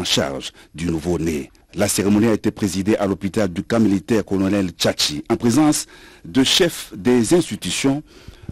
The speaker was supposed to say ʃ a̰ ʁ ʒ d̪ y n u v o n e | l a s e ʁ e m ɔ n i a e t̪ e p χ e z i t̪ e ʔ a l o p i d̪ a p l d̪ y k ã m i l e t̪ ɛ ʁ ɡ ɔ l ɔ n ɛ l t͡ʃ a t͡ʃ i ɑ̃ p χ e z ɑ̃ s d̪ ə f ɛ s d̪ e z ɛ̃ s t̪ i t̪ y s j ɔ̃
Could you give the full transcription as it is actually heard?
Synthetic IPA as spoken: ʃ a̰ ʁ ʒ d̪ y n u v o n e | l a s e ʁ e m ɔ n i a e t̪ e p χ e z i d̪ e ʔ a l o p i t̪ a l d̪ y k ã m i l i t̪ ɛ ʁ k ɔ l ɔ n ɛ l t͡ʃ a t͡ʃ i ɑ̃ p χ e z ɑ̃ s d̪ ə ʃ ɛ f d̪ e z ɛ̃ s t̪ i t̪ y s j ɔ̃